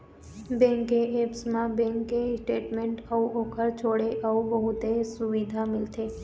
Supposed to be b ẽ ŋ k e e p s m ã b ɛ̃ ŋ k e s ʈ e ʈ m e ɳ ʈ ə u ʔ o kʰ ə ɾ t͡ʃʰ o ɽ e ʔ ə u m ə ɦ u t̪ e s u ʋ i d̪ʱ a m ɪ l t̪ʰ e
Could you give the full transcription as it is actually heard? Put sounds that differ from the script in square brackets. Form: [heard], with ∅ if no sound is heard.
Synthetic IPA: b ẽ ŋ k e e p s m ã b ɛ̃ ŋ k e s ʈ e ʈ m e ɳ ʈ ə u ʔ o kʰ ə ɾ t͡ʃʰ o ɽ e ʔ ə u [b] ə ɦ u t̪ e s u ʋ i d̪ʱ a m ɪ l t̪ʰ e